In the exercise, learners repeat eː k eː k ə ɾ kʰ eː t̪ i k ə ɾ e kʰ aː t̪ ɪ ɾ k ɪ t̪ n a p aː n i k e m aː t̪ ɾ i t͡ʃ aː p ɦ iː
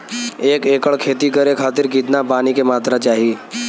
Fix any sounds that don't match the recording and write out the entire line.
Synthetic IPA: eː k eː k ə ɭ kʰ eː t̪ i k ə ɾ e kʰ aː t̪ ɪ ɾ k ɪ t̪ n a p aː n i k e m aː t̪ ɾ a t͡ʃ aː ɦ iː

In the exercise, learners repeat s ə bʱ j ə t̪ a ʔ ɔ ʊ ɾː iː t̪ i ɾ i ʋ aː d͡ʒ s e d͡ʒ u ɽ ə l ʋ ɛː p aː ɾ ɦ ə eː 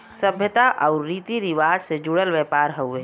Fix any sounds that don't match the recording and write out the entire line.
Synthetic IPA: s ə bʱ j ə t̪ a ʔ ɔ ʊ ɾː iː t̪ i ɾ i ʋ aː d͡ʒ s e d͡ʒ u ɽ ə l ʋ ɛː p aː ɾ ɦ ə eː

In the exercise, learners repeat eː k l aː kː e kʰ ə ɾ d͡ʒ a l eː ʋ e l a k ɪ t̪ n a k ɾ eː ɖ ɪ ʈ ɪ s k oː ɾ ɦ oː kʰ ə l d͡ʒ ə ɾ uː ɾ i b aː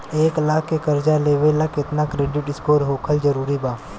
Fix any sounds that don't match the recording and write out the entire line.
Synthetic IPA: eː k l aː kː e k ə ɾ d͡ʒ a l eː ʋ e l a k ɪ t̪ n a k ɾ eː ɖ ɪ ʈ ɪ s k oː ɾ ɦ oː kʰ ə l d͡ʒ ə ɾ uː ɾ i b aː

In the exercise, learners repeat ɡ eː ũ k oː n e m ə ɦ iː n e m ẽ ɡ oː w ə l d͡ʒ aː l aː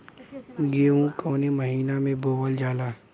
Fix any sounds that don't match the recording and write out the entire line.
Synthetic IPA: ɡ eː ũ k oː n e m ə ɦ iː n a m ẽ b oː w ə l d͡ʒ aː l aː

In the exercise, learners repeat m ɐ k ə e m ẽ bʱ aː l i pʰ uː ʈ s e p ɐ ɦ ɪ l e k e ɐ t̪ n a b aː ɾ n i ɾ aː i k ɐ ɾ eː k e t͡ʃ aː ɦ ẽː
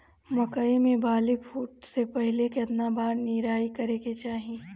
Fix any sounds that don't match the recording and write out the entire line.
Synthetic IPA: m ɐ k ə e m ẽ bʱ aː l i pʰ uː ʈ s e p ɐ ɦ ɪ l e k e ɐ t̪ n a b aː ɾ n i ɾ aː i k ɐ ɾ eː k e t͡ʃ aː ɦ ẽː

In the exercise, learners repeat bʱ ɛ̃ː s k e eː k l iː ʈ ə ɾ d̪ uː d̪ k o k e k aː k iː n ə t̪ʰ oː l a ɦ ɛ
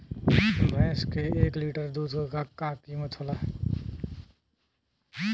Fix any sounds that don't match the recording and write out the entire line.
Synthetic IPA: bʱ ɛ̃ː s k e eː k l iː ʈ ə ɾ d̪ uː d̪ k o k a k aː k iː m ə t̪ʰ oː l a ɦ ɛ

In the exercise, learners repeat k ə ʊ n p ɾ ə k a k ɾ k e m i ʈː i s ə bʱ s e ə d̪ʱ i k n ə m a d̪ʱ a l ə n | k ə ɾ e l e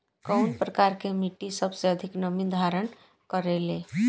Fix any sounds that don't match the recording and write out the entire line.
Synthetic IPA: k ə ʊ n p ɾ ə k a ɾ k e m i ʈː i s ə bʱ s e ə d̪ʱ i k n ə m i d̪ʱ a ɾ ə n | k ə ɾ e l e

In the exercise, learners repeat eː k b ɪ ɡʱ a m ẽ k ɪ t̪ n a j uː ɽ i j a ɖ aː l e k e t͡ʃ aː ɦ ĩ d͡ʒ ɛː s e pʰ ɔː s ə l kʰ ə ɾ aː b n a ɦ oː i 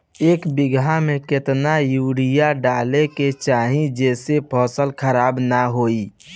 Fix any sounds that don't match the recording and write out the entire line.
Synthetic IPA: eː k b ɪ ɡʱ a m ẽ k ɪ t̪ n a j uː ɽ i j a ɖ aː l e k e t͡ʃ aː ɦ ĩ d͡ʒ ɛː s e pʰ ɔː s ə l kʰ ə ɾ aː b n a ɦ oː i

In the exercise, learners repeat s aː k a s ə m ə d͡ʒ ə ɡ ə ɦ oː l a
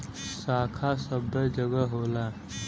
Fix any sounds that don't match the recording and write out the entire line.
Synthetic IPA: s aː kʰ a s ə b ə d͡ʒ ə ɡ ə ɦ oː l a

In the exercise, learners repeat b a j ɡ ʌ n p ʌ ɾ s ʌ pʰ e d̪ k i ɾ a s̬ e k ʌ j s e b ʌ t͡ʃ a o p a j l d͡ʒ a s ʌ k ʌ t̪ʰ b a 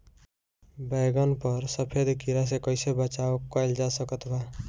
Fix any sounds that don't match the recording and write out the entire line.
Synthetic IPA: b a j ɡ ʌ n p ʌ ɾ s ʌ pʰ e d̪ k i ɾ a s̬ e k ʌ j s e b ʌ t͡ʃ a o k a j l d͡ʒ a s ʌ k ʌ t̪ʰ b a

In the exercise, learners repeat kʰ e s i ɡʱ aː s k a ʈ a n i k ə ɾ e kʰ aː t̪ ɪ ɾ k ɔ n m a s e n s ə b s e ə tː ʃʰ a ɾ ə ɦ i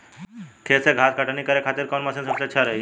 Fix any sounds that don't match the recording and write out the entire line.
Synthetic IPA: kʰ e s e ɡʱ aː s k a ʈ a n i k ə ɾ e kʰ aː t̪ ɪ ɾ k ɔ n m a s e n s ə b s e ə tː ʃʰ a ɾ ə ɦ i

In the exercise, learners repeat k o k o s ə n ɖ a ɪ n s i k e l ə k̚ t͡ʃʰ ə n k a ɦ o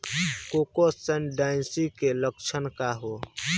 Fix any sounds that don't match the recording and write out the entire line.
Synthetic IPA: k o k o s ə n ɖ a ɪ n s i k e l ə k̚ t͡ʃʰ ə n k a ɦ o

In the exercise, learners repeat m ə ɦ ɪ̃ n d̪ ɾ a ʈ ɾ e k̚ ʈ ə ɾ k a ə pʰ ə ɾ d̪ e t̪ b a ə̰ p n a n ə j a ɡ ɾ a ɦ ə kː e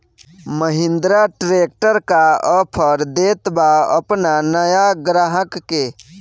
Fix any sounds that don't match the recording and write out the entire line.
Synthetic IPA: m ə ɦ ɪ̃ n d̪ ɾ a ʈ ɾ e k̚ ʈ ə ɾ k a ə pʰ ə ɾ d̪ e t̪ b a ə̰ p n a n ə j a ɡ ɾ a ɦ ə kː e

